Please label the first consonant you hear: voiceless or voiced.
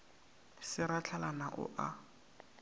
voiceless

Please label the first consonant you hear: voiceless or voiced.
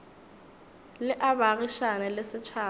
voiced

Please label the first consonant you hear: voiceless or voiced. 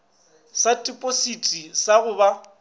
voiceless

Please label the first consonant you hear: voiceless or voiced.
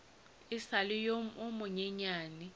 voiceless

